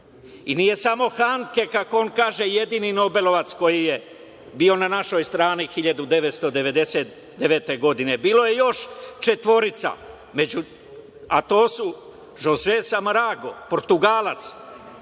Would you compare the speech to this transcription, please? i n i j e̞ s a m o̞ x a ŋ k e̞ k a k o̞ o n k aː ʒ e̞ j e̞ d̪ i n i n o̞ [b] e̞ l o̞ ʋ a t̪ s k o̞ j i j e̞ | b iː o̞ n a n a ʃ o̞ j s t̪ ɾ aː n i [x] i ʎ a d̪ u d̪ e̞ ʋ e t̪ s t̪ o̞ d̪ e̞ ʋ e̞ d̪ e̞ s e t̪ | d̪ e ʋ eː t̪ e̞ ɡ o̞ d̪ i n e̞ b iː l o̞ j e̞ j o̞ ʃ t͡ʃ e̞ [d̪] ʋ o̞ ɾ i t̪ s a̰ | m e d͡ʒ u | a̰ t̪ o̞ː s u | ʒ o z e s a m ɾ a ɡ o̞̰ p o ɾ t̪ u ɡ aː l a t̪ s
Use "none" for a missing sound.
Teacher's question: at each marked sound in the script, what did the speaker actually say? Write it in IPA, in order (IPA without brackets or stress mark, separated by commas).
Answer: b, x, t̪